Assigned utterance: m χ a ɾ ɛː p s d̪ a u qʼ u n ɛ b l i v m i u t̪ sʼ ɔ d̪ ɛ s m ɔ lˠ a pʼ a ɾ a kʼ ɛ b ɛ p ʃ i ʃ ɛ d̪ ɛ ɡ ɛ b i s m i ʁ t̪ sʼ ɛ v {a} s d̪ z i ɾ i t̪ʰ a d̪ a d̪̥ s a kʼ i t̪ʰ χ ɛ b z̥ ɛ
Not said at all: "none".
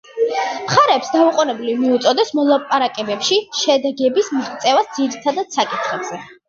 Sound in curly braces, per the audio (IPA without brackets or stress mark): a